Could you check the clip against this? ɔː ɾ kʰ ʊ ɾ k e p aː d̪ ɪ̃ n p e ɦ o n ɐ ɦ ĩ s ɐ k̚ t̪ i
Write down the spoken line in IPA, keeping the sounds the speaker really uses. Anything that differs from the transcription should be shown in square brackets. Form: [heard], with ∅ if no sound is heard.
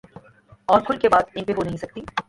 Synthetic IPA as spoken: ɔː ɾ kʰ ʊ [l] k e [b] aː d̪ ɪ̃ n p e ɦ o n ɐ ɦ ĩ s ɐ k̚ t̪ i